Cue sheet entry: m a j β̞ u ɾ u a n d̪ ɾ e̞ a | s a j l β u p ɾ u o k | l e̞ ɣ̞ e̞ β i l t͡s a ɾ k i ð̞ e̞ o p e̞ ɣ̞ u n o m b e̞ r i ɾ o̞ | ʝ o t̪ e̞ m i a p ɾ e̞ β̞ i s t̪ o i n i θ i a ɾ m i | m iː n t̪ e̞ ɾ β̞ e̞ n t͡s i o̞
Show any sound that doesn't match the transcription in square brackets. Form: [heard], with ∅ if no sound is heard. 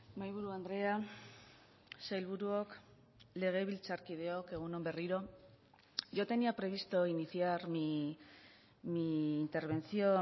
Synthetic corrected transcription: m a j β̞ u ɾ u a n d̪ ɾ e̞ a | s a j l β u [∅] ɾ u o k | l e̞ ɣ̞ e̞ β i l t͡s a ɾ k i ð̞ e̞ o [k] e̞ ɣ̞ u n o m b e̞ r i ɾ o̞ | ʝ o t̪ e̞ [n] i a p ɾ e̞ β̞ i s t̪ o i n i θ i a ɾ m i | m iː n t̪ e̞ ɾ β̞ e̞ n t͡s i o̞